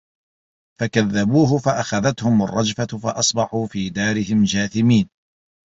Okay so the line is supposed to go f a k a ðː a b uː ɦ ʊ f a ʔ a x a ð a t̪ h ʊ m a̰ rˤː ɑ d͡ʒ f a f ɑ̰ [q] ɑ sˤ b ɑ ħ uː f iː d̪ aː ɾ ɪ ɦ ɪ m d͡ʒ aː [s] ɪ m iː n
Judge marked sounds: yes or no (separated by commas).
no, no